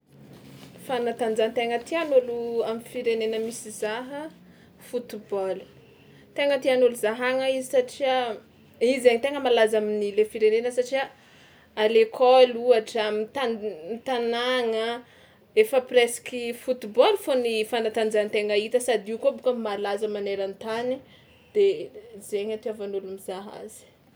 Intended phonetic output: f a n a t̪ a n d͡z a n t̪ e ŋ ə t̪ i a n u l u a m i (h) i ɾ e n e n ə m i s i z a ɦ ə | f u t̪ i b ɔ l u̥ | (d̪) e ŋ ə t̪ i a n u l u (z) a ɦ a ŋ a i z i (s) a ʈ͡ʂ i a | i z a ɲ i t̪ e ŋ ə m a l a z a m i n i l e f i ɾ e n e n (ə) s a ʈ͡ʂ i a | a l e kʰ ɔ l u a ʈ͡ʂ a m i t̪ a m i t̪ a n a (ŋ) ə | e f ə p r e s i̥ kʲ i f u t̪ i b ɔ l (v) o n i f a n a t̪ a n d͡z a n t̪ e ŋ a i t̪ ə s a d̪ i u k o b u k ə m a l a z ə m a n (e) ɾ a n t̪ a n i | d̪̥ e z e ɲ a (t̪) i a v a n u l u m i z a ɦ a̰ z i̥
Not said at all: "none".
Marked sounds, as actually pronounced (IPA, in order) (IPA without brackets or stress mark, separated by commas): f, t̪, z, s, ə, ŋ, f, e, t̪